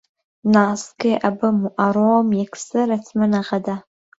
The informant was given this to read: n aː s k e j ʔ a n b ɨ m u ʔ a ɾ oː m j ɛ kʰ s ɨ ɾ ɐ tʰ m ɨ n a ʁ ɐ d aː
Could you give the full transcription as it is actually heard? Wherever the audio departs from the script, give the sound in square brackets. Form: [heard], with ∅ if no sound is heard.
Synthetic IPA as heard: n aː s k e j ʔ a [∅] b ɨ m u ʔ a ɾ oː m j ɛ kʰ s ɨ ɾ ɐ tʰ m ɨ n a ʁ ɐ d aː